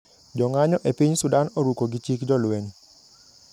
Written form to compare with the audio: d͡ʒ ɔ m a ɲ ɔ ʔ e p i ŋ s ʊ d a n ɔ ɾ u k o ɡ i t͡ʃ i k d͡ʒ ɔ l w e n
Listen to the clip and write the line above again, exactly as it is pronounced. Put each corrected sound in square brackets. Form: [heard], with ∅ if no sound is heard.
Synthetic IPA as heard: d͡ʒ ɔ [ŋ] a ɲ ɔ ʔ e p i [ɲ] s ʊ d a n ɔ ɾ u k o ɡ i t͡ʃ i k d͡ʒ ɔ l w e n